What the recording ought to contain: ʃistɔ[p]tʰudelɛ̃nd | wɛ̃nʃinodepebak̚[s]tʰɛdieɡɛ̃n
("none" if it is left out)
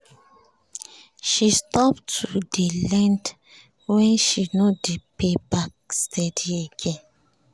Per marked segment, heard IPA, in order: p, s

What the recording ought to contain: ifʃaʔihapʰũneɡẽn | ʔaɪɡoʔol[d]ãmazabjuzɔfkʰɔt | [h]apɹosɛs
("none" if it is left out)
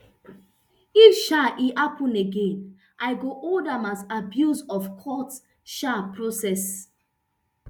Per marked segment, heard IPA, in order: d, ʃ

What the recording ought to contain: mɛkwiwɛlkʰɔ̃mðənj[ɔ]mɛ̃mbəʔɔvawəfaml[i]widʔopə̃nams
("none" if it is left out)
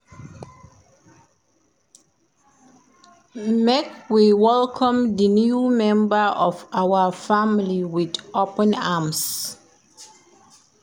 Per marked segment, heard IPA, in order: u, i

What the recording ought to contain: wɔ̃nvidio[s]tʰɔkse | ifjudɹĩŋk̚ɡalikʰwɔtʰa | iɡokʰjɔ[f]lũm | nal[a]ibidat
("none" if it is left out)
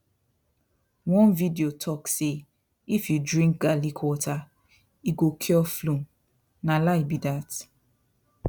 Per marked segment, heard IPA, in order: none, f, a

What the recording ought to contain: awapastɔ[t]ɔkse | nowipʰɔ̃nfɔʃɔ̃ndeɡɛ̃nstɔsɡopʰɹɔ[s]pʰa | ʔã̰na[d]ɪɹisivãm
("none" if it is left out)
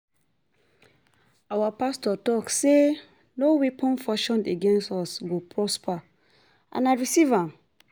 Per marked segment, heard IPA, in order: t, s, none

